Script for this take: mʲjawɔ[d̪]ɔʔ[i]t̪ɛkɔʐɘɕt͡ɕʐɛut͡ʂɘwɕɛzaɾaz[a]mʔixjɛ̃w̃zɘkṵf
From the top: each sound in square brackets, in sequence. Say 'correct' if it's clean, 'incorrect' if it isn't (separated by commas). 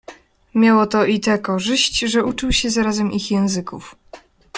incorrect, correct, incorrect